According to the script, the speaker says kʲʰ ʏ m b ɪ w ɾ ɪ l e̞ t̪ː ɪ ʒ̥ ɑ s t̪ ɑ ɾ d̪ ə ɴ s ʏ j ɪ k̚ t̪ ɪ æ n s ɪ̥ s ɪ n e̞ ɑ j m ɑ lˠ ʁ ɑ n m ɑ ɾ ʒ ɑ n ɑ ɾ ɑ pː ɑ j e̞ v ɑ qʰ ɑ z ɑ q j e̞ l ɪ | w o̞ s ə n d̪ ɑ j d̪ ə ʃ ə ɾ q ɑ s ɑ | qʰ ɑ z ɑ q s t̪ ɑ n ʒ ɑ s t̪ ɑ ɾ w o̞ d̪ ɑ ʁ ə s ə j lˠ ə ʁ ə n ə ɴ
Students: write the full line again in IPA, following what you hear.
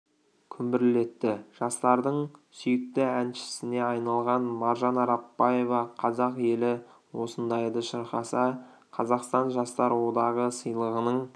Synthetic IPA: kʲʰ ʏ m b ɪ ɾ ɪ l e̞ t̪ː ɪ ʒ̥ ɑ s t̪ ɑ ɾ d̪ ə ɴ s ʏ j ɪ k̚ t̪ ɪ æ n ʃ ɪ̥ s ɪ n e̞ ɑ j n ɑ lˠ ʁ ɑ n m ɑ ɾ ʒ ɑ n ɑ ɾ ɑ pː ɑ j e̞ v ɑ qʰ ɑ z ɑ q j e̞ l ɪ | w o̞ s ə n d̪ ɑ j d̪ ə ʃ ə ɾ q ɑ s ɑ | qʰ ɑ z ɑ q s t̪ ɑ n ʒ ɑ s t̪ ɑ ɾ w o̞ d̪ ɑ ʁ ə s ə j lˠ ə ʁ ə n ə ɴ